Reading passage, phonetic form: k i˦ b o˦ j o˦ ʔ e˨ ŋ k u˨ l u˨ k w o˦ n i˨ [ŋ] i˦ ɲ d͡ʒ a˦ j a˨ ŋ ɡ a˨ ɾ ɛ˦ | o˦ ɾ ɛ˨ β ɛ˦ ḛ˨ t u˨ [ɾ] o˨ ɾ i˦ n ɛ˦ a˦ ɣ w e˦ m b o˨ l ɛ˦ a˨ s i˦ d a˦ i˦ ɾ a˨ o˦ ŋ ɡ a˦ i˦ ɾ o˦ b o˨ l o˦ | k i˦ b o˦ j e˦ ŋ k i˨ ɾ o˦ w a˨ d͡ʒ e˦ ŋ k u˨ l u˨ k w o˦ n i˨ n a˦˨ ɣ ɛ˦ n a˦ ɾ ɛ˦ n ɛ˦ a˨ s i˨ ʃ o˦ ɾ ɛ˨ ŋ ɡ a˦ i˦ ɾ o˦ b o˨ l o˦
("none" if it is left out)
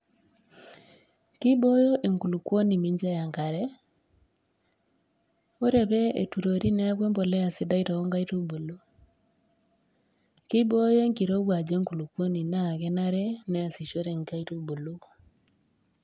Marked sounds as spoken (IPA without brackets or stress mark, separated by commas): m, ɾ